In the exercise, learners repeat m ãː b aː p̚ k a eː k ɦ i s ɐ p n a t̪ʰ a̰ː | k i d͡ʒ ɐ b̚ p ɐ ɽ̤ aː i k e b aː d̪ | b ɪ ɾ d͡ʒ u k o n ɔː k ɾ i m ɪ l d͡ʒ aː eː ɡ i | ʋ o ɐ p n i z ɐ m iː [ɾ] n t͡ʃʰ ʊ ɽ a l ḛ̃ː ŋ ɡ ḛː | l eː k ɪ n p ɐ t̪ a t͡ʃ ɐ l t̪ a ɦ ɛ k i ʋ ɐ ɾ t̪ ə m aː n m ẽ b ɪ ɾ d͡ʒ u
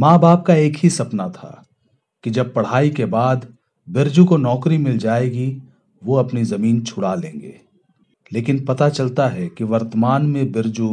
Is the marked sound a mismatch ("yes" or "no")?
yes